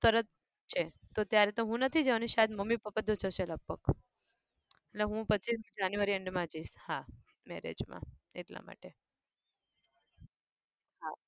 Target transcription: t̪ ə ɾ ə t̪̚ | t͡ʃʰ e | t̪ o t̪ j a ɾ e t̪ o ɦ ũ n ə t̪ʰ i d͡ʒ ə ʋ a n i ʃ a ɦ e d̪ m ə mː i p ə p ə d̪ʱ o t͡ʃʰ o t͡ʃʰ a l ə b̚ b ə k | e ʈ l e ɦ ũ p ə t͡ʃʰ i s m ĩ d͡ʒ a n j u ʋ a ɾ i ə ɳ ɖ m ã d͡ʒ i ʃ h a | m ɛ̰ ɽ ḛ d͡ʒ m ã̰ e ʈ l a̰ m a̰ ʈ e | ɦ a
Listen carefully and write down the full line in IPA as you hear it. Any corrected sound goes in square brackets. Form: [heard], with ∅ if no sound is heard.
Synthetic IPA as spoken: t̪ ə ɾ ə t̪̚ | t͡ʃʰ e | t̪ o t̪ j a ɾ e t̪ o ɦ ũ n ə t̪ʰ i d͡ʒ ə ʋ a n i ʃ a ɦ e d̪ m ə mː i p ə p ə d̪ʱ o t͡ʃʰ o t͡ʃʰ [e] l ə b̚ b ə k | e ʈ l e ɦ ũ p ə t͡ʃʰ i s m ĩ d͡ʒ a n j u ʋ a ɾ i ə ɳ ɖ m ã d͡ʒ i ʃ h a | m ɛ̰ [ɾ] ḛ d͡ʒ m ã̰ e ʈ l a̰ m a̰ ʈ e | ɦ a